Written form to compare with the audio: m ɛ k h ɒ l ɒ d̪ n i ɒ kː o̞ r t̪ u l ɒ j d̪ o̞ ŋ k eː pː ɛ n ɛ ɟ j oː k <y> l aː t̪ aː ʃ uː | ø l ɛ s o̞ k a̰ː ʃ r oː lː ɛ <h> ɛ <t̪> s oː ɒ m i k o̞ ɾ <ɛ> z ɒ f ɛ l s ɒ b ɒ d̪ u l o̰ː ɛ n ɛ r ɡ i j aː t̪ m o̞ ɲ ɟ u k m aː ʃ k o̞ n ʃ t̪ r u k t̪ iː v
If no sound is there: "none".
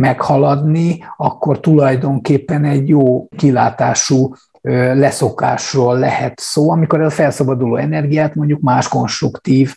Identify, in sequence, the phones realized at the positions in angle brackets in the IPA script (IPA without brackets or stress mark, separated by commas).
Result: i, h, t̪, ɛ